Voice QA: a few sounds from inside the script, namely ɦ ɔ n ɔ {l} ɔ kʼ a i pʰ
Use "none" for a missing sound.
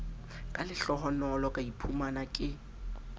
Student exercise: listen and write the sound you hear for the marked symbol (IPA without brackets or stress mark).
l